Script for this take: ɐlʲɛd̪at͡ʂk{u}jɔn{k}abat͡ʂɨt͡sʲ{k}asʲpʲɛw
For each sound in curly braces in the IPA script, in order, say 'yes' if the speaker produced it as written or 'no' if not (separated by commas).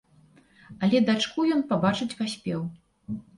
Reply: yes, no, no